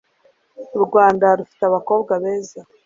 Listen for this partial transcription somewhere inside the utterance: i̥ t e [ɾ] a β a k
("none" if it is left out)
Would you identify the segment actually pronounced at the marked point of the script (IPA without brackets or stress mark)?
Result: none